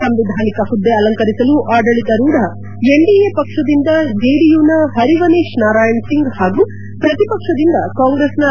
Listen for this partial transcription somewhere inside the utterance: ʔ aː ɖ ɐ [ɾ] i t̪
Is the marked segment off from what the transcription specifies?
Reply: yes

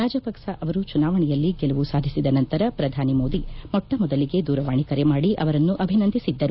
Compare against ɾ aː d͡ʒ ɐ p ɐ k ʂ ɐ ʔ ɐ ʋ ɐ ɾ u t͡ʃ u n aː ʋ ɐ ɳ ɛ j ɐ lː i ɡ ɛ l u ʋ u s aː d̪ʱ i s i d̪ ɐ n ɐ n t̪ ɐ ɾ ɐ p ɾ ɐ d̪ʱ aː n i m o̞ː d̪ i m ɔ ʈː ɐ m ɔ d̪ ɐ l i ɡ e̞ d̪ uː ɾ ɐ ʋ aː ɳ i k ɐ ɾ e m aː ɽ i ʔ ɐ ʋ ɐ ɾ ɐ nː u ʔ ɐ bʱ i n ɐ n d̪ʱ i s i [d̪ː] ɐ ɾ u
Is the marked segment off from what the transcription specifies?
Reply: no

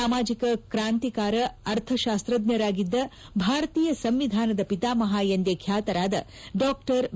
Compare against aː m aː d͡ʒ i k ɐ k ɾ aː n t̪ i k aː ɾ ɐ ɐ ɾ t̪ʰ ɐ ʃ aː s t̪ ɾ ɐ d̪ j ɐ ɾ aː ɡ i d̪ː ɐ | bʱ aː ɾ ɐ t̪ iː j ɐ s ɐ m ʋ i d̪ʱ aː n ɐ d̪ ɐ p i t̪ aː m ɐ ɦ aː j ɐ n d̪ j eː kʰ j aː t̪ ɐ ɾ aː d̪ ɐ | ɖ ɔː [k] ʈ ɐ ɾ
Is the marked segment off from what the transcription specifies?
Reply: no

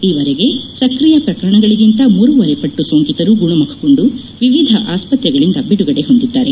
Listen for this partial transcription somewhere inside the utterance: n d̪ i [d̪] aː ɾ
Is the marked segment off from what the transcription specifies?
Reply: yes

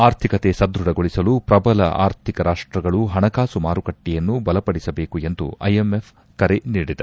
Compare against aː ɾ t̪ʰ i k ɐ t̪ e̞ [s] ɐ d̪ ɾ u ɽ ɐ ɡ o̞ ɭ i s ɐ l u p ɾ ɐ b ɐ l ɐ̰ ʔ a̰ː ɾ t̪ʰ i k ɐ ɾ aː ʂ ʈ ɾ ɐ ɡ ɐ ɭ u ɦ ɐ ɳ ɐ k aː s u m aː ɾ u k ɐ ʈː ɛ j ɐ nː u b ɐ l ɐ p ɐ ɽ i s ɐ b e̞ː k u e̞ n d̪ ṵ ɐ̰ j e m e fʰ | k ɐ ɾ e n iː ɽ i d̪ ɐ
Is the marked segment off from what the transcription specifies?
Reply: no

